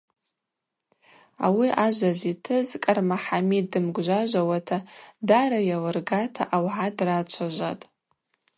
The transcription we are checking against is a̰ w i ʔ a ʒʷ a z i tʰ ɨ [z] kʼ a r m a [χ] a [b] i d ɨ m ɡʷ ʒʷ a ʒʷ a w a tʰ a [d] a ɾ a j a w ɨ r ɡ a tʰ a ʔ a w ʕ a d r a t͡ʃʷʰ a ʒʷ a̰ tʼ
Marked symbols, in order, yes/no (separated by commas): yes, no, no, yes